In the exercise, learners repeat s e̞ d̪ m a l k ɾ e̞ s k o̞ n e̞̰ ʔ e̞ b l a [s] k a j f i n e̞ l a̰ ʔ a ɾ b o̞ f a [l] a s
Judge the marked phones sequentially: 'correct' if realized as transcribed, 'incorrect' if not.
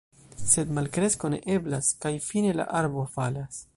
correct, correct

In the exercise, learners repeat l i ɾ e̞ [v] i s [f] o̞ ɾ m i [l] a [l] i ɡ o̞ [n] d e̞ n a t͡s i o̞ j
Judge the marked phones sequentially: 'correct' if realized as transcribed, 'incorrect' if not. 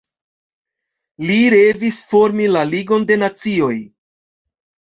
correct, correct, correct, correct, correct

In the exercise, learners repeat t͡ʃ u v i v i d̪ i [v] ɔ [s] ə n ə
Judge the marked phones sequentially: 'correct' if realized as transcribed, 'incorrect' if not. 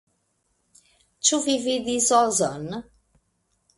incorrect: z, incorrect: z

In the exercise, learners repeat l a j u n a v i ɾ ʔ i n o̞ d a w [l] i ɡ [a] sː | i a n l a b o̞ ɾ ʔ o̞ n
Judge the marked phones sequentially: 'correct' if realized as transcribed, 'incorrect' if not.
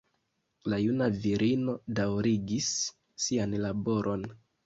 incorrect: ɾ, incorrect: i

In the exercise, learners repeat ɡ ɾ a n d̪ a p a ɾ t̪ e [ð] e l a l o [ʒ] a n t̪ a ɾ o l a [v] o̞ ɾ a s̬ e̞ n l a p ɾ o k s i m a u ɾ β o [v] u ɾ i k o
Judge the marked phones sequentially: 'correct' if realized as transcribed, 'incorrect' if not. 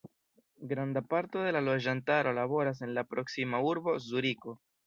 correct, correct, incorrect: β, incorrect: z

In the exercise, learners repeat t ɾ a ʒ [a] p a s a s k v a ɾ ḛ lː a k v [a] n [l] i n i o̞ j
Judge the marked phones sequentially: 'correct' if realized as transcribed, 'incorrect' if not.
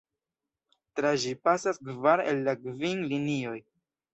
incorrect: i, incorrect: i, correct

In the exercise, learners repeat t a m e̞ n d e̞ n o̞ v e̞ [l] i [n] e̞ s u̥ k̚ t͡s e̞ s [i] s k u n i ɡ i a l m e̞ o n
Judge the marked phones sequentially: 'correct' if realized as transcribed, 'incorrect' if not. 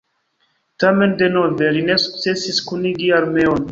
correct, correct, correct

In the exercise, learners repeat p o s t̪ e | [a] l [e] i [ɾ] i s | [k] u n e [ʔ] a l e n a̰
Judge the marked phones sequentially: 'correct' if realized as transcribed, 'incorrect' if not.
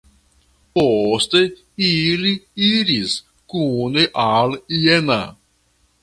incorrect: i, incorrect: i, correct, correct, correct

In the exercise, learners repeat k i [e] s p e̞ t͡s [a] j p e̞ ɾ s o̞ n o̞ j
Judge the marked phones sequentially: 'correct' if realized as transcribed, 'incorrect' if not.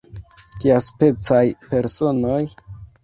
incorrect: a, correct

